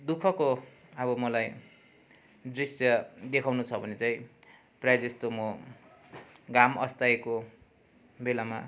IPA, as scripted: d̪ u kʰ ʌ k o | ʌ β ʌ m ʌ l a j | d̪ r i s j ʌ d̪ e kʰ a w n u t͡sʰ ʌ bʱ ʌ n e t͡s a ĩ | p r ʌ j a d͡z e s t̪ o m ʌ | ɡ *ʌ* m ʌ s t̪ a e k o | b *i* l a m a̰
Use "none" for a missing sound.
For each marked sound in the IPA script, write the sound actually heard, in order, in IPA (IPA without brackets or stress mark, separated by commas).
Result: a, e